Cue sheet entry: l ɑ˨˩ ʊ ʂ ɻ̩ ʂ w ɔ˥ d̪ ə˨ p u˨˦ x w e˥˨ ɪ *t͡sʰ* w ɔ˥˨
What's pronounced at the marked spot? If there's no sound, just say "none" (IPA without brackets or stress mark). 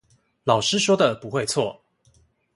t͡sʰ